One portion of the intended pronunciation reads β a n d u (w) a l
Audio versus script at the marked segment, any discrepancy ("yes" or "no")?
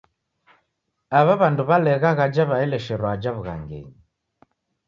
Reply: yes